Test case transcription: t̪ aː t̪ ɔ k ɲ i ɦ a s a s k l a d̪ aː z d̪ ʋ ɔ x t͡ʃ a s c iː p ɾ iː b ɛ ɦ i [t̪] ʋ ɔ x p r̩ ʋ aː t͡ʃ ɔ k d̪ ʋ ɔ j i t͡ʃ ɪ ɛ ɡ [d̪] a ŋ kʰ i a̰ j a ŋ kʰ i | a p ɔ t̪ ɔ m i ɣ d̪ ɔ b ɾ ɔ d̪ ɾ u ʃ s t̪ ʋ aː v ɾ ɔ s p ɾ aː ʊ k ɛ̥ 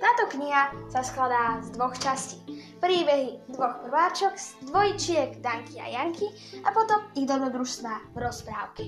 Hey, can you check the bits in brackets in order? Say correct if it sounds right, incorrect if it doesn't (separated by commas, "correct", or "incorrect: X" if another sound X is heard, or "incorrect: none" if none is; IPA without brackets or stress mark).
incorrect: d̪, correct